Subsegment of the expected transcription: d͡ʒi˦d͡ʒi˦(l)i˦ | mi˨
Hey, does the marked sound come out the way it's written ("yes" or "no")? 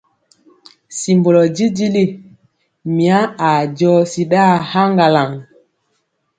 yes